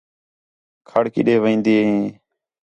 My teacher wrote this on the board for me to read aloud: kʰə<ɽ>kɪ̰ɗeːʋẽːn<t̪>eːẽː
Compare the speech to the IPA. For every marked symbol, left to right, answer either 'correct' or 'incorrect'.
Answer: correct, incorrect

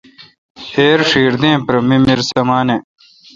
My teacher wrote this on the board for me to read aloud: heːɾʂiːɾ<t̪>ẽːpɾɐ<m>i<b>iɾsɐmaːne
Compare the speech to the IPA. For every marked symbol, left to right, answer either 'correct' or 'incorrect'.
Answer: incorrect, correct, incorrect

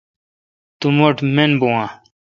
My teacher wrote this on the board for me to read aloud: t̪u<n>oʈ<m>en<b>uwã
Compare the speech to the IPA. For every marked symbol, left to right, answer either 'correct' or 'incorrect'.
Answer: incorrect, correct, correct

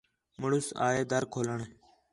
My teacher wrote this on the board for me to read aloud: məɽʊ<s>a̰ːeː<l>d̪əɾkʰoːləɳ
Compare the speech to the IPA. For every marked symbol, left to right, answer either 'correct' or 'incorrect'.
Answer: correct, incorrect

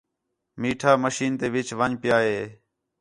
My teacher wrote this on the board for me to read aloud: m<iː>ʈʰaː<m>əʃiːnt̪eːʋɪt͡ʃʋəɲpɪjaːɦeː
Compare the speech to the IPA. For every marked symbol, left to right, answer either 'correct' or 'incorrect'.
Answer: correct, correct

